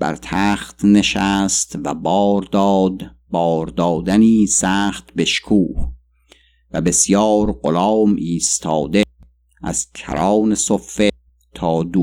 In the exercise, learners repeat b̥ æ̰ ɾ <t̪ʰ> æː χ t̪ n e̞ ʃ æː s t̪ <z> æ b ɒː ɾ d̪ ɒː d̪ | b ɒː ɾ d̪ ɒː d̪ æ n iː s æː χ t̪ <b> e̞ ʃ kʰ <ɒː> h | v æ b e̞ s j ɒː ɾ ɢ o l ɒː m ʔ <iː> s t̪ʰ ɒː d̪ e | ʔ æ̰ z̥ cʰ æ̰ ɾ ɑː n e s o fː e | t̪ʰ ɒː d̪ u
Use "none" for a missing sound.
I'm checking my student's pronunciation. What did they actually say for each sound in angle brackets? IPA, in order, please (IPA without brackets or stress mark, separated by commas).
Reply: t̪ʰ, v, b, uː, iː